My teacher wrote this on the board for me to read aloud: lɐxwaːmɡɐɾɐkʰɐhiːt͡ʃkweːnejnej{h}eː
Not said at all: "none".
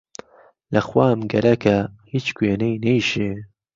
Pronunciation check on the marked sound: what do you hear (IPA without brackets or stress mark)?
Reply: ʃ